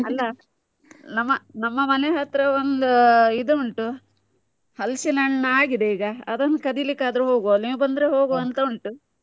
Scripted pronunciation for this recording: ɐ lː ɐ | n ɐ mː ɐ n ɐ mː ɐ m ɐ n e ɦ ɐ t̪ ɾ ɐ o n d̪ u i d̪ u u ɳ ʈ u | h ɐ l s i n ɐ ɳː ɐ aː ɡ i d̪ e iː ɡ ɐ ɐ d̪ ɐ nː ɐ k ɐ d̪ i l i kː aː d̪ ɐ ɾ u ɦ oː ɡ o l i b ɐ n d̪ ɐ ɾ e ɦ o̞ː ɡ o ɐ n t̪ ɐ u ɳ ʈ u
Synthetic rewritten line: ɐ lː ɐ | n ɐ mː ɐ n ɐ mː ɐ m ɐ n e ɦ ɐ t̪ ɾ ɐ o n d̪ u i d̪ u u ɳ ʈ u | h ɐ l s i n ɐ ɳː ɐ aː ɡ i d̪ e iː ɡ ɐ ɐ d̪ ɐ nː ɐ k ɐ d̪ i l i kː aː d̪ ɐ ɾ u ɦ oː ɡ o l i b ɐ n d̪ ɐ ɾ e ɦ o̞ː ɡ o ɐ n t̪ ɐ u ɳ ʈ u